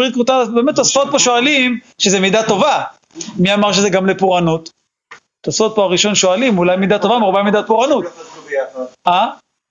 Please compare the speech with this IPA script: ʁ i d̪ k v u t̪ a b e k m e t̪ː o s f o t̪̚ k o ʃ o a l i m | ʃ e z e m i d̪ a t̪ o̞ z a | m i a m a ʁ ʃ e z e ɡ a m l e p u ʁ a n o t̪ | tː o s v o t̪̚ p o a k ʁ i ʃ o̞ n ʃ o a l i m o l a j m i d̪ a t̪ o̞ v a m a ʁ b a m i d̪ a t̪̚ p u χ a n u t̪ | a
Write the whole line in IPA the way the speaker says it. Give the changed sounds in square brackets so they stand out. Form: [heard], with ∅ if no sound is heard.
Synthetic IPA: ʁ i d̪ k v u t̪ a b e [∅] m e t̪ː o s f o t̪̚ [p] o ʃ o a l i m | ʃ e z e m i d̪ a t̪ o̞ [v] a | m i a m a ʁ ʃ e z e ɡ a m l e p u ʁ a n [u] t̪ | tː o s [f] o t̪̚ p o a [∅] ʁ i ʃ o̞ n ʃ o a l i m [u] l a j m i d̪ a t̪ o̞ v a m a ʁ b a m i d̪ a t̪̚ p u [ʁ] a n u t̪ | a